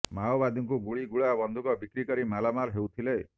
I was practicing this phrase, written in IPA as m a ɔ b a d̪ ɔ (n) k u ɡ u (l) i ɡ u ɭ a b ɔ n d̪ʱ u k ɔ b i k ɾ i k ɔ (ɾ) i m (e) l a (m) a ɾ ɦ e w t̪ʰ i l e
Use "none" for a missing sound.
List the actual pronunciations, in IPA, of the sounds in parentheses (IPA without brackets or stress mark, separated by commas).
ŋ, ɭ, ɾ, a, m